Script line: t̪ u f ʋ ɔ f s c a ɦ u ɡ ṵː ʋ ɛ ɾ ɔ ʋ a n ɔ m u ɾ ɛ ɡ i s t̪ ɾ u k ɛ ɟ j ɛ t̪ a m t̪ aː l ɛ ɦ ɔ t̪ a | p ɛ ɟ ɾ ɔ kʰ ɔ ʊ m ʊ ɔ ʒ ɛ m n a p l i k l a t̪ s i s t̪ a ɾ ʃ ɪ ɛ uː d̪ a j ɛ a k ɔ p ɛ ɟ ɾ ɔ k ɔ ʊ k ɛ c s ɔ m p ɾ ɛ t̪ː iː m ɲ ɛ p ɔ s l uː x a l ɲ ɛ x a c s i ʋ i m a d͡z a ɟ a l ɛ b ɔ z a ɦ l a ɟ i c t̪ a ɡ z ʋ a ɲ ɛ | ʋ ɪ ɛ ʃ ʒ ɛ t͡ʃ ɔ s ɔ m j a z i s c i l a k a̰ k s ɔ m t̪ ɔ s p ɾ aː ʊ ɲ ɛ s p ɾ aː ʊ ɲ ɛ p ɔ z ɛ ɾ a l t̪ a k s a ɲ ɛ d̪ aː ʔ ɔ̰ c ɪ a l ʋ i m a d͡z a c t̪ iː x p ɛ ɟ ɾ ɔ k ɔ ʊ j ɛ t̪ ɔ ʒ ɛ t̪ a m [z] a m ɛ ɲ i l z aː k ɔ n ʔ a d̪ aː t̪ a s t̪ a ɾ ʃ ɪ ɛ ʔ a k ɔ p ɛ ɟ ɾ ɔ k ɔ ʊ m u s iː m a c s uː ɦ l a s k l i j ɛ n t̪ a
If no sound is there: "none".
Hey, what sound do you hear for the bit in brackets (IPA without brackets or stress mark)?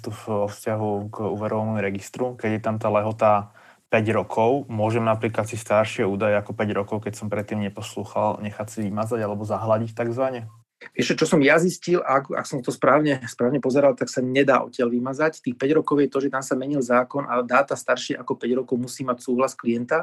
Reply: s